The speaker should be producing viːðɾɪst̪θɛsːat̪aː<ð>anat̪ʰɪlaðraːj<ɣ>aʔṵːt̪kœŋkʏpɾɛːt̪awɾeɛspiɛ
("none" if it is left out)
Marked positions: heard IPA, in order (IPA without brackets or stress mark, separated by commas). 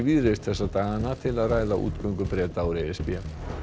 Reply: ɣ, ð